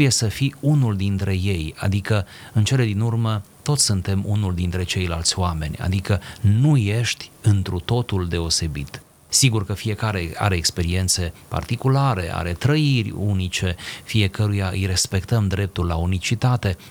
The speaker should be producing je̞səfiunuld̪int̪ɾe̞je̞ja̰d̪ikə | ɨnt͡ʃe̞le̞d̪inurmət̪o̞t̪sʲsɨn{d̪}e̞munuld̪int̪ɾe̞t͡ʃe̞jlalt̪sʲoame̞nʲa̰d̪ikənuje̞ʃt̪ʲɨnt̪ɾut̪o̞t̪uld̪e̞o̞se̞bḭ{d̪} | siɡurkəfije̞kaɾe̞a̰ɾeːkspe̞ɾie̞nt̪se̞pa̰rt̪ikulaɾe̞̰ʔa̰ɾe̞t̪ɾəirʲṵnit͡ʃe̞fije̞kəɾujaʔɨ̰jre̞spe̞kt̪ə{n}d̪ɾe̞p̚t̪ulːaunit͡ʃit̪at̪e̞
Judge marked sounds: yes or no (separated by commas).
no, no, no